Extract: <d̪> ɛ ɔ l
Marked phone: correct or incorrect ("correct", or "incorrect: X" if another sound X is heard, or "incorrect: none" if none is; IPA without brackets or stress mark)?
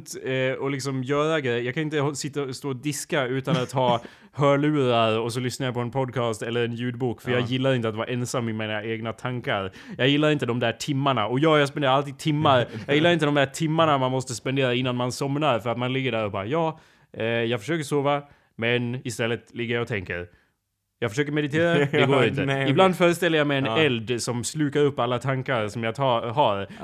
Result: incorrect: t̪